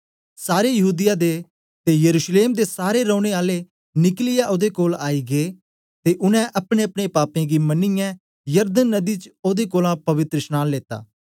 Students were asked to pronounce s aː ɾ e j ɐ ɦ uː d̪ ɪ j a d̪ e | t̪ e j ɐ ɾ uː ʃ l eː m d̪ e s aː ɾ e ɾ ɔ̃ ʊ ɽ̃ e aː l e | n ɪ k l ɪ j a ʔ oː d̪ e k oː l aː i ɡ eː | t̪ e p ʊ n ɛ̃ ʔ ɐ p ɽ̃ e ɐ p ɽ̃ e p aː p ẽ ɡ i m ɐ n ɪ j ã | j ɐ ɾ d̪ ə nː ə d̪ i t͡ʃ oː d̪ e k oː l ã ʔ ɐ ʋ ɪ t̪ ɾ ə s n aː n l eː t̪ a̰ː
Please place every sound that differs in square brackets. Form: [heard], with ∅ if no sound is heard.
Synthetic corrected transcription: s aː ɾ e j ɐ ɦ uː d̪ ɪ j a d̪ e | t̪ e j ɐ ɾ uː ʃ l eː m d̪ e s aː ɾ e ɾ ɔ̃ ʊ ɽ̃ e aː l e | n ɪ k l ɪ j a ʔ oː d̪ e k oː l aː i ɡ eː | t̪ e [ʔ] ʊ n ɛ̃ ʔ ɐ p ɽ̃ e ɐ p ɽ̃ e p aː p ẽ ɡ i m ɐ n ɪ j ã | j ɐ ɾ d̪ ə nː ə d̪ i t͡ʃ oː d̪ e k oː l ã [p] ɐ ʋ ɪ t̪ ɾ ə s n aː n l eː t̪ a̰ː